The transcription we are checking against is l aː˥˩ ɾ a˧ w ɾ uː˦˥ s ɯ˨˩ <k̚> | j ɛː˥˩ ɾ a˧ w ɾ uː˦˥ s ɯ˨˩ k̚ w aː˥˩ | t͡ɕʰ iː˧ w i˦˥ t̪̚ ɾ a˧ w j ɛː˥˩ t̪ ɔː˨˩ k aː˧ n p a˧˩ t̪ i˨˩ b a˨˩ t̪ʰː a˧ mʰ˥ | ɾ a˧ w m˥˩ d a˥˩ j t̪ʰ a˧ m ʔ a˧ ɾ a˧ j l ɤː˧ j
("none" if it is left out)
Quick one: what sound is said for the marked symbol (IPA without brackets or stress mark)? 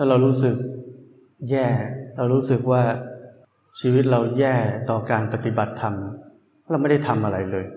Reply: k̚